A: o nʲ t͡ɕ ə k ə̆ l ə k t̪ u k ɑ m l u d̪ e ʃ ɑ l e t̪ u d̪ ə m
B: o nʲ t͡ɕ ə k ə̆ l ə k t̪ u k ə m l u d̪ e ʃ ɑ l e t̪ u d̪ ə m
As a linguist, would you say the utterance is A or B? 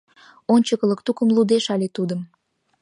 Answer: B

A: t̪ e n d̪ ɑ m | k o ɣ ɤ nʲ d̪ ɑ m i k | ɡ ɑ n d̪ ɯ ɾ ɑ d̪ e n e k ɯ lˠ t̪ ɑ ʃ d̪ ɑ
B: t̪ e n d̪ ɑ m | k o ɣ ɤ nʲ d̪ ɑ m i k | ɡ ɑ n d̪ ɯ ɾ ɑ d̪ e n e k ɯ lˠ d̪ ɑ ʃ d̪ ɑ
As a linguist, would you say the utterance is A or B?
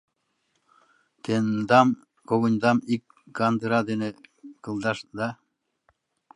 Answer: B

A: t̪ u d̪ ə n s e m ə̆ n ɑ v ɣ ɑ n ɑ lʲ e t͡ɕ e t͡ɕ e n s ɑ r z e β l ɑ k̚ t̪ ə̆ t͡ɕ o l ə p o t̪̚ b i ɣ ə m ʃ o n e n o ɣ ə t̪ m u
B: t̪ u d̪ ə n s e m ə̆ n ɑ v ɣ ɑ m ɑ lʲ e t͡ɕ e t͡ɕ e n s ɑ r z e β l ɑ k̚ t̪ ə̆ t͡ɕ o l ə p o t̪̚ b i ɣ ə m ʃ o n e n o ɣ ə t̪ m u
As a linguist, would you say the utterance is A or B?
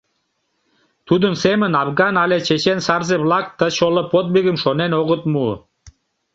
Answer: A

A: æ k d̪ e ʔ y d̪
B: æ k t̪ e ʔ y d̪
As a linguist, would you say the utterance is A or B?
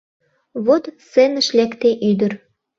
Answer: B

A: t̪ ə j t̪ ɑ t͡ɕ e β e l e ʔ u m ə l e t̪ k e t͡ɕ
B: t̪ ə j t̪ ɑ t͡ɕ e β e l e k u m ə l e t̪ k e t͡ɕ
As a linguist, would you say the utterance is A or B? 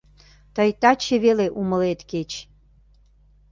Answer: A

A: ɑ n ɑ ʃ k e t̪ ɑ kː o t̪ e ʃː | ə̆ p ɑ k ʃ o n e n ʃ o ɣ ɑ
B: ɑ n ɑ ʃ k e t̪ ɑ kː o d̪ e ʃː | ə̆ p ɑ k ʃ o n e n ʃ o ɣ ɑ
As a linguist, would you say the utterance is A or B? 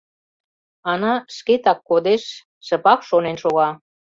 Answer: B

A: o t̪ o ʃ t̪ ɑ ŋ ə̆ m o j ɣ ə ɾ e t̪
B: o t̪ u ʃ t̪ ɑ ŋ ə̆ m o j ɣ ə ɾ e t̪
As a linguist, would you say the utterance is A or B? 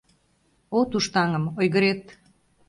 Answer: B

